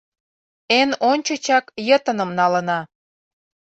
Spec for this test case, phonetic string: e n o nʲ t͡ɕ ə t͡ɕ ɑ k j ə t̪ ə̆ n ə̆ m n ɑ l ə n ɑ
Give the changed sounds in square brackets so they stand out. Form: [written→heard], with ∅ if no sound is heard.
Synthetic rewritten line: e n o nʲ t͡ɕ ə t͡ɕ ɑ k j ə t̪ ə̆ n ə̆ m n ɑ l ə n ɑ